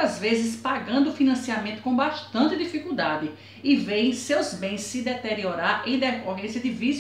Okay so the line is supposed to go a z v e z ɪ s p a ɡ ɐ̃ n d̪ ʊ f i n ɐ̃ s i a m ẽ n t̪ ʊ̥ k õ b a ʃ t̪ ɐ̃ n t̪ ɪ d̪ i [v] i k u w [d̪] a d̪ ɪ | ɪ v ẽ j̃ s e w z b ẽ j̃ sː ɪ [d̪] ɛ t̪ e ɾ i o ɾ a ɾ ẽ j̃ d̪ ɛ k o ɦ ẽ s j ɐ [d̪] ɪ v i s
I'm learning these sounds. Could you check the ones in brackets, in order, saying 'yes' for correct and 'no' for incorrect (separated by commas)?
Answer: no, yes, yes, yes